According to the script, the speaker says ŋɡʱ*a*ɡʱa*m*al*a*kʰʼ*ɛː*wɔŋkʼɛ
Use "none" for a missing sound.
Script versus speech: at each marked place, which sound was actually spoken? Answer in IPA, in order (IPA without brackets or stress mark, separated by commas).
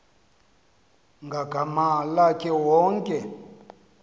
a, m, a, ɛ